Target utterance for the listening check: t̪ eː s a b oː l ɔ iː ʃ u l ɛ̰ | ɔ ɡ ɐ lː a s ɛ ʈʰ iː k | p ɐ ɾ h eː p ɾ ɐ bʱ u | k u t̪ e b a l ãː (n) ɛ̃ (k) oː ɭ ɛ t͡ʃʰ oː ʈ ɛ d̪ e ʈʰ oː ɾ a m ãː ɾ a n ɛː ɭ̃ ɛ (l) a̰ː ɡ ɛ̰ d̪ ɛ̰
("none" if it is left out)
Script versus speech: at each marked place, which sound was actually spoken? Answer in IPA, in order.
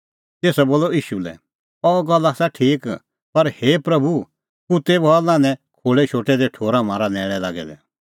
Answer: n, kʰ, l

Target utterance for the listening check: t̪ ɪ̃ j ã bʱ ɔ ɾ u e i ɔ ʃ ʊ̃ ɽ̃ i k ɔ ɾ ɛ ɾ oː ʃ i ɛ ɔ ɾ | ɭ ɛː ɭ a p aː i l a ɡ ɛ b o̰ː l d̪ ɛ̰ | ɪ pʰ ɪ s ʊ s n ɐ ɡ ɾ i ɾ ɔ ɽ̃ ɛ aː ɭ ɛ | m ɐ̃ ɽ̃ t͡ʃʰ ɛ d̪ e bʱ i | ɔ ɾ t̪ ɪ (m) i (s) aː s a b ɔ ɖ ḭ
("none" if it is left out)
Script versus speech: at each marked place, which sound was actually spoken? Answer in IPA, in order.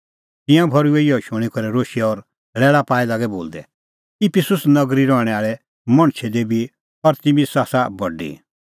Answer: m, s

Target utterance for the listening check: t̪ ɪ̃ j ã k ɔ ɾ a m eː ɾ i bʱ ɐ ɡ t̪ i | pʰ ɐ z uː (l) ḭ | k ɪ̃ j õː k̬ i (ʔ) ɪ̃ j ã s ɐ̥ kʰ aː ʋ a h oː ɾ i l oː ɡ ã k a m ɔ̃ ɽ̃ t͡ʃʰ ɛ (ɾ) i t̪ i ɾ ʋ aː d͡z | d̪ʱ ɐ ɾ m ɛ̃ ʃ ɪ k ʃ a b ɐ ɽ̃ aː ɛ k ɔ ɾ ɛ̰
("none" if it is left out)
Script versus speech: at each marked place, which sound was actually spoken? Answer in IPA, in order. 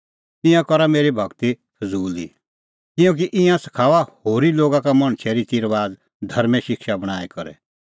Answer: l, ʔ, ɾ

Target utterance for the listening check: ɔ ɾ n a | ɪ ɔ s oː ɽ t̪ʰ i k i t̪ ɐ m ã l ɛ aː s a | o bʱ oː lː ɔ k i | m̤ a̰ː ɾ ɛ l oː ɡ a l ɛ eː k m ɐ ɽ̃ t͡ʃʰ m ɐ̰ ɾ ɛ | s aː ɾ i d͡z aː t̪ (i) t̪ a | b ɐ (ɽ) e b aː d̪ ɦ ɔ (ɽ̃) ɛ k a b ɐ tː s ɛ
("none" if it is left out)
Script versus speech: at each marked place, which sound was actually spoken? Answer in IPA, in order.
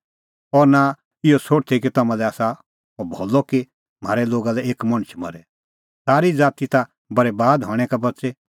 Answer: i, ɾ, ɽ̃

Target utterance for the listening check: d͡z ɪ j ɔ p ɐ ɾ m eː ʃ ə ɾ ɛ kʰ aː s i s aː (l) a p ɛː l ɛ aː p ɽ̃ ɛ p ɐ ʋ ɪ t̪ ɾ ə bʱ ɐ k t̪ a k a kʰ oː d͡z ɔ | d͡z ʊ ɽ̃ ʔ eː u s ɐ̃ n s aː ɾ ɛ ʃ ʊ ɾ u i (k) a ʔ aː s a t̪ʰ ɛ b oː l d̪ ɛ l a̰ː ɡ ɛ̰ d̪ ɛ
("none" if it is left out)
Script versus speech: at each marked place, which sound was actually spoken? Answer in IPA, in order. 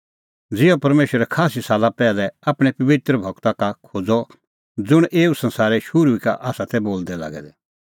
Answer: l, k

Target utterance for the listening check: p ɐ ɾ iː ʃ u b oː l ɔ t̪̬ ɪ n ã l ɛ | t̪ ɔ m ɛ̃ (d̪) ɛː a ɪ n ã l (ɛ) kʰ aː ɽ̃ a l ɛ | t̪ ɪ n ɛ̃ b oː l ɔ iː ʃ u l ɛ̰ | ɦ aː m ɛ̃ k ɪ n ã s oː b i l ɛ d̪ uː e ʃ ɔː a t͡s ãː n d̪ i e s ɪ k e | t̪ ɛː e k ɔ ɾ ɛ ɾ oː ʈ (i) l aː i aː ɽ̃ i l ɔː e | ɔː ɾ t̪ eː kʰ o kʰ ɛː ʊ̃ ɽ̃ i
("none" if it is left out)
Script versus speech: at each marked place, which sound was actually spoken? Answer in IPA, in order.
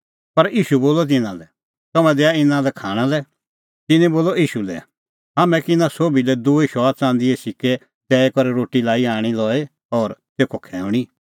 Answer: d̪, ɛ, i

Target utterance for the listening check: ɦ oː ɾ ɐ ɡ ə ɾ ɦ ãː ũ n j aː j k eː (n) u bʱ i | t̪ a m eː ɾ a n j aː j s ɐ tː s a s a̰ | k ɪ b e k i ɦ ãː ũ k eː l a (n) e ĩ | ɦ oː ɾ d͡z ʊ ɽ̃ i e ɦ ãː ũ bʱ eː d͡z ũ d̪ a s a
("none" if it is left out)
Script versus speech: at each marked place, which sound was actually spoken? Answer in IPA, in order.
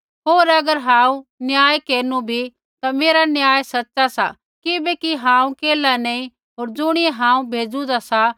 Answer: n, n

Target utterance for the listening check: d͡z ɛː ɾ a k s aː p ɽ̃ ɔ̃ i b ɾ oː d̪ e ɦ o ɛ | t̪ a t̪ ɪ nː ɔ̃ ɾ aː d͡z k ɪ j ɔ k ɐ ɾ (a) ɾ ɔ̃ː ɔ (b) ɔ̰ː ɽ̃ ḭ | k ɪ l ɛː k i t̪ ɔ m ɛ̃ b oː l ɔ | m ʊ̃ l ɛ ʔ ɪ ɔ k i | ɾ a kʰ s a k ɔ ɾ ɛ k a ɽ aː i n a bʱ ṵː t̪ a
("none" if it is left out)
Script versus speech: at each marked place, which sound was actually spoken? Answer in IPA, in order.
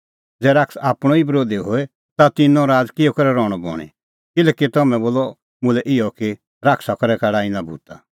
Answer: ɛ, b

